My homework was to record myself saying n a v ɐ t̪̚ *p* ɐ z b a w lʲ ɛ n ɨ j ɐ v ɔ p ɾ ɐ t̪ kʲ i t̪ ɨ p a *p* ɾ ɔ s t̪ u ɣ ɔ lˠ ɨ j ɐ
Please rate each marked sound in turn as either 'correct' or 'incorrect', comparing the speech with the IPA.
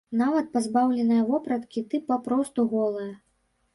correct, correct

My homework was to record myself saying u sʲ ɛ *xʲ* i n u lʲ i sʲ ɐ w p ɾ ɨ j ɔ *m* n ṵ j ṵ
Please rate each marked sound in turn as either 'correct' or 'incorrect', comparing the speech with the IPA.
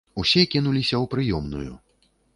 incorrect: kʲ, correct

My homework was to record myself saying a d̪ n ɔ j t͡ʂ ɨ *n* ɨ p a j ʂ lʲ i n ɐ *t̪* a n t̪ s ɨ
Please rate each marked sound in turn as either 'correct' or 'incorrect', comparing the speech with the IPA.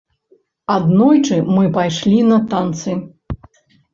incorrect: m, correct

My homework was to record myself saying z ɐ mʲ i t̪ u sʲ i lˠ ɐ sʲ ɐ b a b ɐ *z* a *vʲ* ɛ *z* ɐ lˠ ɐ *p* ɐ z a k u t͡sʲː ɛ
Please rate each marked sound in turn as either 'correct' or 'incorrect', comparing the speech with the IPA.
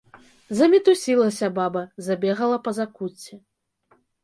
correct, incorrect: bʲ, incorrect: ɣ, correct

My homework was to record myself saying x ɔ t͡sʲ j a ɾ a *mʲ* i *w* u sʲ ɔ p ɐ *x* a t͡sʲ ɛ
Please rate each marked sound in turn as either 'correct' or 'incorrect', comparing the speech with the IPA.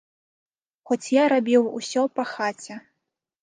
incorrect: bʲ, correct, correct

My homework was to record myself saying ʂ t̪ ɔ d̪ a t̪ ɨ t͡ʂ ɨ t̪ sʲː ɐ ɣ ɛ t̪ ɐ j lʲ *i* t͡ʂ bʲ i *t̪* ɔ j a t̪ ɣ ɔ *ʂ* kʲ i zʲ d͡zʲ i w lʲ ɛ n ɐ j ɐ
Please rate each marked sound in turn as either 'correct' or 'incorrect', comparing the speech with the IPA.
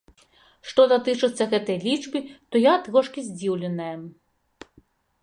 correct, correct, correct

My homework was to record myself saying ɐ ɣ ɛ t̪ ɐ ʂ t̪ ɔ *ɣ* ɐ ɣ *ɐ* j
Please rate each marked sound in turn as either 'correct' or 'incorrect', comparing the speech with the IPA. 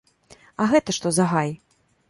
incorrect: z, incorrect: a

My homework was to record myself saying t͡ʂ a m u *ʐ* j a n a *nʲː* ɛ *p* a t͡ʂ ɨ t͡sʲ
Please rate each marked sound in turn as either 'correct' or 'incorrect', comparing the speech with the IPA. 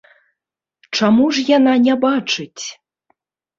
correct, incorrect: nʲ, incorrect: b

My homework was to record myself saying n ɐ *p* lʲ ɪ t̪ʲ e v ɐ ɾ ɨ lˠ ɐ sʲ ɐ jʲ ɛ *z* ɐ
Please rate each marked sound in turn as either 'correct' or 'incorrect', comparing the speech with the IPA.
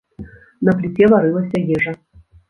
correct, incorrect: ʐ

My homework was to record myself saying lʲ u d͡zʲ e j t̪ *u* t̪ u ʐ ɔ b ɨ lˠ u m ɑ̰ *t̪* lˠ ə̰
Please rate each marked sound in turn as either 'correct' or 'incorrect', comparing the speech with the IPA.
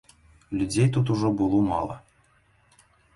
correct, incorrect: none

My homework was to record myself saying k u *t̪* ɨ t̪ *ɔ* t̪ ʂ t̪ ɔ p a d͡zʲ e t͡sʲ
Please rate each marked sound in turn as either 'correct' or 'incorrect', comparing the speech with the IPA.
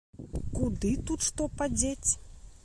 incorrect: d̪, incorrect: u

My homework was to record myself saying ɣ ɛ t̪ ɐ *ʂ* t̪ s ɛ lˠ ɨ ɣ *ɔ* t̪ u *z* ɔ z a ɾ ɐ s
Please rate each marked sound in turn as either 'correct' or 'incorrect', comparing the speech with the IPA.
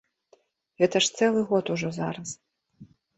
correct, correct, incorrect: ʐ

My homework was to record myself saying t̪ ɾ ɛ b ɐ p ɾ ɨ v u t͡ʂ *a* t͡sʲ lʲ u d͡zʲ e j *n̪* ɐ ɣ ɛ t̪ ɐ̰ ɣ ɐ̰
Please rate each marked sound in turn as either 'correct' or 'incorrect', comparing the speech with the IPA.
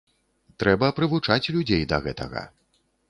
correct, incorrect: d̪

